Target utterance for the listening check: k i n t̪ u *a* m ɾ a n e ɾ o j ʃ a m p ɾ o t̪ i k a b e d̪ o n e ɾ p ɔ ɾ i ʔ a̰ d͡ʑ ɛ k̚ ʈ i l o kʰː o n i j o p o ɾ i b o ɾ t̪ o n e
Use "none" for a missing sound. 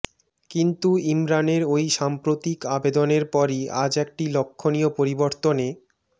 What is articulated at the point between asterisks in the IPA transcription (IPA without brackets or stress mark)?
i